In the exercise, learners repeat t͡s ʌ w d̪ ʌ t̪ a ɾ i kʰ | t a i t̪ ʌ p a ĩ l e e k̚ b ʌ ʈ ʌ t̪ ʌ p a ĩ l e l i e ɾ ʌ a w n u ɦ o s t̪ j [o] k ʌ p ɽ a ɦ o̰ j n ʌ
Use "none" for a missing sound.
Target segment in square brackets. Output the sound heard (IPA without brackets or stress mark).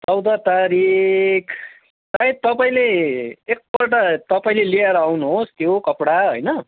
o